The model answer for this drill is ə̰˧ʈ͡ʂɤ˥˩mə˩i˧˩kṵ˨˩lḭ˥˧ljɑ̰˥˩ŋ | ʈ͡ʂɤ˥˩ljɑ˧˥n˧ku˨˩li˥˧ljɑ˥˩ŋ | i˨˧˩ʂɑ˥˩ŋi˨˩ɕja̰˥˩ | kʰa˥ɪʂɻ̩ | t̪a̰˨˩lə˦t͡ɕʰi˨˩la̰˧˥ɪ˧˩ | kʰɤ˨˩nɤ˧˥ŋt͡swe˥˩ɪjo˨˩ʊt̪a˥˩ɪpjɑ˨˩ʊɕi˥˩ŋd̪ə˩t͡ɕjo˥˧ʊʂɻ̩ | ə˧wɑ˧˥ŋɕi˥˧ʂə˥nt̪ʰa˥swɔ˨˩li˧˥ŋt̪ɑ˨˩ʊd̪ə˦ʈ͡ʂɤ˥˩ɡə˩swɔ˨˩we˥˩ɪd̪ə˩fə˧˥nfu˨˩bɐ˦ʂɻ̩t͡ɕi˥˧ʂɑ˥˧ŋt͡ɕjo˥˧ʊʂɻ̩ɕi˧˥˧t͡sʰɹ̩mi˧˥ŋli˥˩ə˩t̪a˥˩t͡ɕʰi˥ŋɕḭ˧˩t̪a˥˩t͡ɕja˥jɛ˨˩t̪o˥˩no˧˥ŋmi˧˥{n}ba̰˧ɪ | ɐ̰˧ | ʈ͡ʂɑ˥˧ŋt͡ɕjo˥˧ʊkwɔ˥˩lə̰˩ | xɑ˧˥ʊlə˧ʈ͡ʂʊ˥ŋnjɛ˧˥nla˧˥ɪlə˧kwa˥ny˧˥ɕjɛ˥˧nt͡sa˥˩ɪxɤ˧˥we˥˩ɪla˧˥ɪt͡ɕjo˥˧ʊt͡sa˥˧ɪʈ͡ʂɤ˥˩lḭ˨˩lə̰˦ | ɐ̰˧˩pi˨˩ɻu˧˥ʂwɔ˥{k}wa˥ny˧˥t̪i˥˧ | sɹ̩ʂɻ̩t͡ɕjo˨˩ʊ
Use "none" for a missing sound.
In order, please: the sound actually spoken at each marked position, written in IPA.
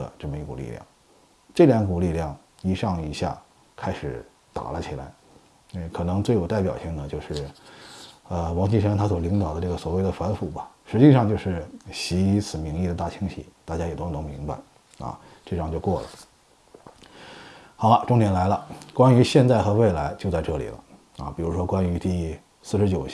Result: ŋ, k

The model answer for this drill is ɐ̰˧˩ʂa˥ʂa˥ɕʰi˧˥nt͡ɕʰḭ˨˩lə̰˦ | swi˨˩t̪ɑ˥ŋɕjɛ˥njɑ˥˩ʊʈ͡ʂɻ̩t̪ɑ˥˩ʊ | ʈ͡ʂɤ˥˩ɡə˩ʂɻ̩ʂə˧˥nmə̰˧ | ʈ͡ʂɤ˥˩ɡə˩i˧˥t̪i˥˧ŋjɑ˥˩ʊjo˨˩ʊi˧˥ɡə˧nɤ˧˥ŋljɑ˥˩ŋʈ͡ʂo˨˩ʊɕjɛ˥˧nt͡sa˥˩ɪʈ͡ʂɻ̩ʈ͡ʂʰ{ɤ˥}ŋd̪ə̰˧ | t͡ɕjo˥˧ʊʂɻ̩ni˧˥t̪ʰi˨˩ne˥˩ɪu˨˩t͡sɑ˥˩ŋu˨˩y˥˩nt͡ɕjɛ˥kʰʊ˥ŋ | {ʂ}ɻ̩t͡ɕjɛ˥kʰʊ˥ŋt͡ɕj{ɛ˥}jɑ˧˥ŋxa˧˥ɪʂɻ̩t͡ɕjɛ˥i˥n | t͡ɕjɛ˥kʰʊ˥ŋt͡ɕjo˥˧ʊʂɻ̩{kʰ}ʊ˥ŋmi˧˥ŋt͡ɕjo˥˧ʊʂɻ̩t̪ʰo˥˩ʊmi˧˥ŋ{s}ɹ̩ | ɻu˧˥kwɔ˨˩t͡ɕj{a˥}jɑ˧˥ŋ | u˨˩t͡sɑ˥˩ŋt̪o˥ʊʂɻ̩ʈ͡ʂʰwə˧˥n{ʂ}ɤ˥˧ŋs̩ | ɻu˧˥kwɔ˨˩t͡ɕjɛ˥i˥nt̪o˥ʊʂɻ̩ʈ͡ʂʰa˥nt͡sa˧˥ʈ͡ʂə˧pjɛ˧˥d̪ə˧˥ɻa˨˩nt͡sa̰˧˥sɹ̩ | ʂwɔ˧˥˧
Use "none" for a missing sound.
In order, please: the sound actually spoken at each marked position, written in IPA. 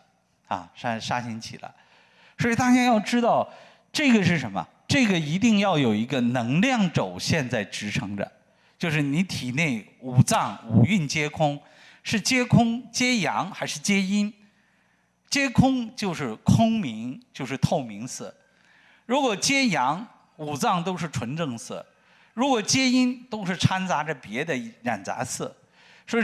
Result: ɤ˧˥, ʂ, ɛ˥, kʰ, s, ɛ˥, ʈ͡ʂ

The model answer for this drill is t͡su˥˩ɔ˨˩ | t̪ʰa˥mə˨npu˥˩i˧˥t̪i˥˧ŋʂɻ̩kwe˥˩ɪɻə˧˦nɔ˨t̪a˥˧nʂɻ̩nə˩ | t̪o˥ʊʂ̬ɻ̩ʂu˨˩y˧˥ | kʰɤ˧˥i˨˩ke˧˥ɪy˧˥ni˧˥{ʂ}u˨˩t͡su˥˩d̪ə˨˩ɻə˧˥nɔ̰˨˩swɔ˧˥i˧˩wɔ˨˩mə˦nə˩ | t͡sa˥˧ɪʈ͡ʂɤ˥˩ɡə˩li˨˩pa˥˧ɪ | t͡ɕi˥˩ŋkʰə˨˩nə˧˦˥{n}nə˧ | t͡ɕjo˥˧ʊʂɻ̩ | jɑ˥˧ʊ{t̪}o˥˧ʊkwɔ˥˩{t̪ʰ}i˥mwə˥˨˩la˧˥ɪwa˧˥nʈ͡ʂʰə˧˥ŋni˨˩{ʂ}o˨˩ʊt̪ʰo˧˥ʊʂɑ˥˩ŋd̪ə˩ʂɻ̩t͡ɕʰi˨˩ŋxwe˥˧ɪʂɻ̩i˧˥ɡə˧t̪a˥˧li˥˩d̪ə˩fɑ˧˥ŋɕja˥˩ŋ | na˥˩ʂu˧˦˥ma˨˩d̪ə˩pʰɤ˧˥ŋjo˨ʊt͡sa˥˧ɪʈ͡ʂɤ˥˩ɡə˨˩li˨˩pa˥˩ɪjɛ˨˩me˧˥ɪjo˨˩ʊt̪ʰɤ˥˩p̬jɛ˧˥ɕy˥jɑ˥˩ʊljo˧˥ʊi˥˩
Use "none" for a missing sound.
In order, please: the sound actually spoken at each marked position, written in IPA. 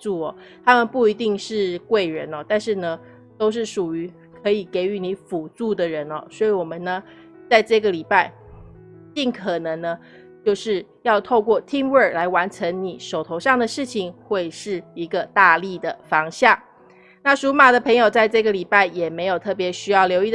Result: f, ŋ, t̪ʰ, t̪ʰ, ʂ

